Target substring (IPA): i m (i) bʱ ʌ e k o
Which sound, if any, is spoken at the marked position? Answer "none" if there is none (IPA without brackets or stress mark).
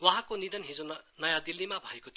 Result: a